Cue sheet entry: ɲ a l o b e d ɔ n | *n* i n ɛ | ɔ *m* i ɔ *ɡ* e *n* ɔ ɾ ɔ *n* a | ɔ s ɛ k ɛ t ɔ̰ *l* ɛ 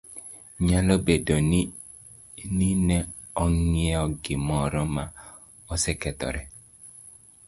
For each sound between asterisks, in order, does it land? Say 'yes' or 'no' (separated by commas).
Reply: yes, no, yes, no, no, no